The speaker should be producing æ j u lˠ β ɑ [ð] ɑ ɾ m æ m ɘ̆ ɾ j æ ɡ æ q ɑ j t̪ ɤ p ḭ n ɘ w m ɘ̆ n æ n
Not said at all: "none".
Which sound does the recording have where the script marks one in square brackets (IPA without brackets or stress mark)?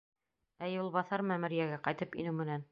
θ